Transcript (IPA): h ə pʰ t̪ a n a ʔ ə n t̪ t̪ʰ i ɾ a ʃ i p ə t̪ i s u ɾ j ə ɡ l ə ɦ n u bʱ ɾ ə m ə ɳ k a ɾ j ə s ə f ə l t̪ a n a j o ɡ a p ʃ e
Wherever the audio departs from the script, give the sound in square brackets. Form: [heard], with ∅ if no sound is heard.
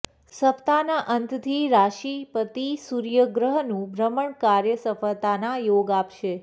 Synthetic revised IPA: [s] ə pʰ t̪ a n a ʔ ə n t̪ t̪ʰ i ɾ a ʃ i p ə t̪ i s u ɾ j ə ɡ [ɾ] ə ɦ n [ũ] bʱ ɾ ə m ə ɳ k a ɾ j ə s ə f ə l t̪ a n a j o ɡ a p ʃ e